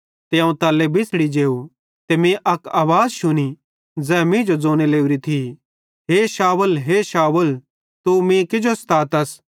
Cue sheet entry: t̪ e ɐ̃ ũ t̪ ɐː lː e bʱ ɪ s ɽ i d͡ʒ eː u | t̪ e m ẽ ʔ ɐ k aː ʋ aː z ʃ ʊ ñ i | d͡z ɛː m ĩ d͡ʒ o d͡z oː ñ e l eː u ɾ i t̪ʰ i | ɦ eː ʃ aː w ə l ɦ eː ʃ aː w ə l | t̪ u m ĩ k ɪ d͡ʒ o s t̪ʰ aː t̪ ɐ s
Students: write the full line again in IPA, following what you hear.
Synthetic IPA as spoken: t̪ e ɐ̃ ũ t̪ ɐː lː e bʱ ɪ s ɽ i d͡ʒ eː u | t̪ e m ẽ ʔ ɐ k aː ʋ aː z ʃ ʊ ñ i | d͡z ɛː m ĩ d͡ʒ o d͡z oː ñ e l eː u ɾ i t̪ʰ i | ɦ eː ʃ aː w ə l ɦ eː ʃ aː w ə l | t̪ u m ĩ k ɪ d͡ʒ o s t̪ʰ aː t̪ ɐ s